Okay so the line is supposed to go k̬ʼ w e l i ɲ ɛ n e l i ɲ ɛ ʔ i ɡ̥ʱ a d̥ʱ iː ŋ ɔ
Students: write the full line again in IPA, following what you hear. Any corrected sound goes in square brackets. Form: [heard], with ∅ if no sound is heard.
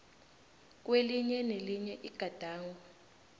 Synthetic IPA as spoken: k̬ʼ w e l i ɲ ɛ n e l i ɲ ɛ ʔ i ɡ̥ʱ a d̥ʱ [aː] ŋ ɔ

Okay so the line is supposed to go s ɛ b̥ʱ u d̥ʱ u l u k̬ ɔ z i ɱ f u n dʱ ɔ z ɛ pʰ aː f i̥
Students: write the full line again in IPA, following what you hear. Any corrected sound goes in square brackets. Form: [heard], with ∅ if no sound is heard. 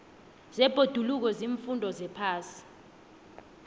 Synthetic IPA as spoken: [z] ɛ b̥ʱ [o] d̥ʱ u l u k̬ ɔ z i ɱ f u n dʱ ɔ z ɛ pʰ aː [s] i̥

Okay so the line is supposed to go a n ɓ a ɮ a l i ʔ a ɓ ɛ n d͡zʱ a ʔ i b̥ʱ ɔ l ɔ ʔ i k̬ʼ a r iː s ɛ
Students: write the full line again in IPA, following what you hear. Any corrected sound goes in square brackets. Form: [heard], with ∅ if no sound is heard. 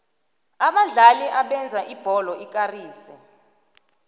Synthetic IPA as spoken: a [∅] ɓ a ɮ a l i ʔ a ɓ ɛ n d͡zʱ a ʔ i b̥ʱ ɔ l ɔ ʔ i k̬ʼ a r iː s ɛ

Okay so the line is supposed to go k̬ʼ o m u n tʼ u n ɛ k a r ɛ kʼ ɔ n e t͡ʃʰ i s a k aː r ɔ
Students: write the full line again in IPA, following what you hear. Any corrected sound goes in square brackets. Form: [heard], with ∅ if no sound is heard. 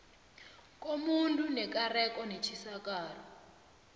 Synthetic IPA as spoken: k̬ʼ o m u n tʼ u n ɛ k a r ɛ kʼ ɔ n e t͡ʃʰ i s a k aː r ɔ

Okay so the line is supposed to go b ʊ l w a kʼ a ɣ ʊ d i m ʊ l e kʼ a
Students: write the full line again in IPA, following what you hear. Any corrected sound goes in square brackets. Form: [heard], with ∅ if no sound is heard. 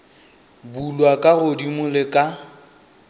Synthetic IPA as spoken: b [u] l w a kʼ a ɣ ʊ d i m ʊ l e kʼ a

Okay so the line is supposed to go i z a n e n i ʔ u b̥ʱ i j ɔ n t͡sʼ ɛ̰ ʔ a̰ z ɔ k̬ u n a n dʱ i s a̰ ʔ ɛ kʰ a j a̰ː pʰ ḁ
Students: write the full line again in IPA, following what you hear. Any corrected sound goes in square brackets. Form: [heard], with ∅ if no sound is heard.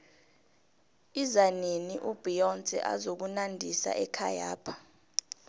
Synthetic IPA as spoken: i z a n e n i ʔ u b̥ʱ i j ɔ n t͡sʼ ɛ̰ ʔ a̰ z [o] k̬ u n a n dʱ i s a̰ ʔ ɛ kʰ a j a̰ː pʰ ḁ

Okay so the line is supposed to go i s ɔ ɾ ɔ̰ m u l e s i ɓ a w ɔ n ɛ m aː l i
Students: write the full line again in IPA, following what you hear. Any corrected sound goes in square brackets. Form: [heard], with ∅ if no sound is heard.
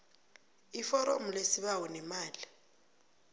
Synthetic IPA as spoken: i [f] ɔ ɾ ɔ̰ m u l e s i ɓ a w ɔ n ɛ m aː l i

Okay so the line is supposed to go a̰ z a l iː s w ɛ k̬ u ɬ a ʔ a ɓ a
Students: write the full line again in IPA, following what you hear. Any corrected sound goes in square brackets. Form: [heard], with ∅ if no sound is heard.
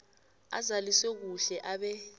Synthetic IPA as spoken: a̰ z a l [i] s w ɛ k̬ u ɬ [ɛ] ʔ a ɓ [ɛ]

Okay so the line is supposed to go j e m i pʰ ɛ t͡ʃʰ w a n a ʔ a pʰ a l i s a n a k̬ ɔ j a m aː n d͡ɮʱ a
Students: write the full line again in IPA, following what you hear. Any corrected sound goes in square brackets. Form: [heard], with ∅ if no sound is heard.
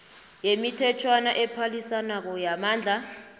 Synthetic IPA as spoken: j e m i [tʰ] ɛ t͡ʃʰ w a n a ʔ [ɛ] pʰ a l i s a n a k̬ ɔ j a m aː n d͡ɮʱ a

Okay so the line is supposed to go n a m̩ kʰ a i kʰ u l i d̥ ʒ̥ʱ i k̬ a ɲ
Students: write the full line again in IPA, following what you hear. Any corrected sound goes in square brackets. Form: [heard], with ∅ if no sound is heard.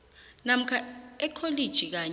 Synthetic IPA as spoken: n a m̩ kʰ a [ɛ] kʰ [o] l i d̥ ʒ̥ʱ i k̬ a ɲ

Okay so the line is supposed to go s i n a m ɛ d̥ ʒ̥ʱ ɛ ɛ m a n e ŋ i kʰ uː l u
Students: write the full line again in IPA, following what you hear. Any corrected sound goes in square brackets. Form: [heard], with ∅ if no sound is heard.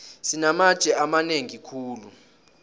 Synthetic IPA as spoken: s i n a m [a] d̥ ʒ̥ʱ ɛ [a] m a n e ŋ i kʰ uː l u

